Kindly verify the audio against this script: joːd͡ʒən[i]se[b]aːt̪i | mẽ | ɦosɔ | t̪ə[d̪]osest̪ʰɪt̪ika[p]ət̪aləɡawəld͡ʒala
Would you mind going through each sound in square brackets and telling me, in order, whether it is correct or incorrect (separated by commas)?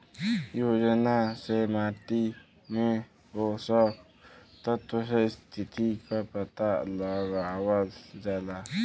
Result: incorrect, incorrect, incorrect, correct